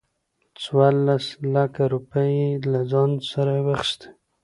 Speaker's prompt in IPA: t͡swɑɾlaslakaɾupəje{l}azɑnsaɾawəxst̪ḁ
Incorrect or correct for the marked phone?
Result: correct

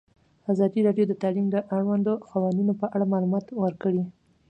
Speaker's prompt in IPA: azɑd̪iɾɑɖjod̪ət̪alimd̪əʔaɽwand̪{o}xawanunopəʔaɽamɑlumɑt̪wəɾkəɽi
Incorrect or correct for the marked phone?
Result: correct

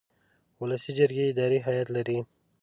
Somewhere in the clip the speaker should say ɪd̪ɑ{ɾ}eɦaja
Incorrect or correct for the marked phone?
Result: correct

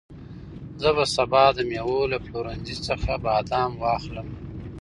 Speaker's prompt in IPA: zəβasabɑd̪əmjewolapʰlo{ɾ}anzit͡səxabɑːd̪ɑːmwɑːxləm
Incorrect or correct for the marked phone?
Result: correct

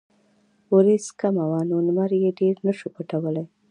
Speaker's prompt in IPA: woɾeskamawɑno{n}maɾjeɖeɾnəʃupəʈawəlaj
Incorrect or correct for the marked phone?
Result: correct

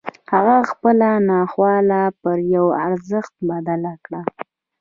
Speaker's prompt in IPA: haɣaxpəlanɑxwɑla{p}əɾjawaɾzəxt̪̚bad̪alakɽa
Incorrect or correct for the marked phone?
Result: correct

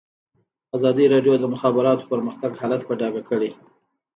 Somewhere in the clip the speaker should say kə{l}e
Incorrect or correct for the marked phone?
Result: incorrect: ɽ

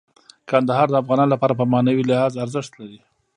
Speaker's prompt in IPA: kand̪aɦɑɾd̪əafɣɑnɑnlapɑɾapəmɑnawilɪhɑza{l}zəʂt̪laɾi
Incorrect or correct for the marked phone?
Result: incorrect: ɾ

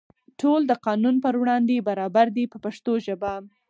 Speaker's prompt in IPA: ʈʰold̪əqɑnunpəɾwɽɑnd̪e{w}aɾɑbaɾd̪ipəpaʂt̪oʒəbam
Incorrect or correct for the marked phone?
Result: incorrect: b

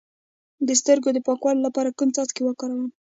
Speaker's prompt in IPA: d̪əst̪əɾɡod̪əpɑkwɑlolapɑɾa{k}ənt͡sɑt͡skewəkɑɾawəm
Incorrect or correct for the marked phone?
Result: correct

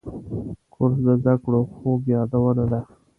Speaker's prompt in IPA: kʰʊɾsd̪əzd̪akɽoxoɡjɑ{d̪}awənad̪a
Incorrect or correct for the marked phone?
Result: correct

